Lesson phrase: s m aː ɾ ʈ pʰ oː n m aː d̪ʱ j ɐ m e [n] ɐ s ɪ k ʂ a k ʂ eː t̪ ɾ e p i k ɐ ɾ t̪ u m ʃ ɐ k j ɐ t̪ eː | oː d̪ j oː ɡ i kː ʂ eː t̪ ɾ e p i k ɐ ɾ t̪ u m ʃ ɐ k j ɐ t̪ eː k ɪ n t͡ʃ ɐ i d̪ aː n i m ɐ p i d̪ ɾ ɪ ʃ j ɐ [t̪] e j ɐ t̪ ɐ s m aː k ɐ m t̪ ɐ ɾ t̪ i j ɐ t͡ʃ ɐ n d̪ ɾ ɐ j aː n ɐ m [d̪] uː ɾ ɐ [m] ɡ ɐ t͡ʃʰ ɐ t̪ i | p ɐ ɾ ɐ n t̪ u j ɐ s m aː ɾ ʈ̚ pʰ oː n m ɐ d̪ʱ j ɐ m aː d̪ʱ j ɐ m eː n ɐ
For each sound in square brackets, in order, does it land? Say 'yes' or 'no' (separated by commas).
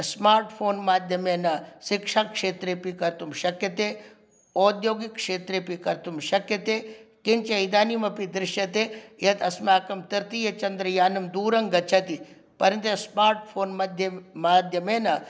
yes, yes, yes, no